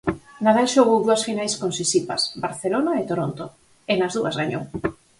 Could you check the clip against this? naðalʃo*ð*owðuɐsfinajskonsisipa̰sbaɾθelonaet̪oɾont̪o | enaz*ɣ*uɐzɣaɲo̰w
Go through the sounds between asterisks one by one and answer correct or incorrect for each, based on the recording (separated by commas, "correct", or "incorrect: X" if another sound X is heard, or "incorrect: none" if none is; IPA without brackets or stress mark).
incorrect: ɣ, incorrect: ð